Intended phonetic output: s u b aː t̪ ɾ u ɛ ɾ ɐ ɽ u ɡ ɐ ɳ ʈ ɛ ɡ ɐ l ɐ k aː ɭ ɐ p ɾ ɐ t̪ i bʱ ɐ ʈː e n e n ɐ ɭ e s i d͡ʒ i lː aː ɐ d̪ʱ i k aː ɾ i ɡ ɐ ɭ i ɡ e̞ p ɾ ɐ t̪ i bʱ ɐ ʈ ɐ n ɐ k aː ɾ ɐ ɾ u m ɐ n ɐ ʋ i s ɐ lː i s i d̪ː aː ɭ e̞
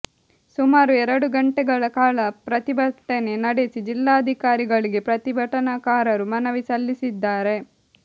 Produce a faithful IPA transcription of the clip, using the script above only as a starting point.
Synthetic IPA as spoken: s u m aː ɾ u ɛ ɾ ɐ ɽ u ɡ ɐ ɳ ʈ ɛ ɡ ɐ ɭ ɐ k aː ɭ ɐ p ɾ ɐ t̪ i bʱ ɐ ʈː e n e n ɐ ɽ e s i d͡ʒ i lː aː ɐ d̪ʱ i k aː ɾ i ɡ ɐ ɭ i ɡ e̞ p ɾ ɐ t̪ i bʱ ɐ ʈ ɐ n ɐ k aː ɾ ɐ ɾ u m ɐ n ɐ ʋ i s ɐ lː i s i d̪ː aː ɾ e̞